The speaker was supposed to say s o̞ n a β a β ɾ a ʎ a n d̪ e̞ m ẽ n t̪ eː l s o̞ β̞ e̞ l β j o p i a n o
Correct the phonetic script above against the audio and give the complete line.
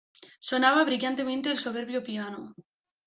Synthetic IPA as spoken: s o̞ n a β a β ɾ i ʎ a n t̪ e̞ m ẽ n t̪ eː l s o̞ β̞ e̞ ɾ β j o p i a n o